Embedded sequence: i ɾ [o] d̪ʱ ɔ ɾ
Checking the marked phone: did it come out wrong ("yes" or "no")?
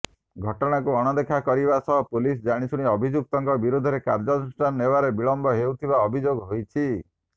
yes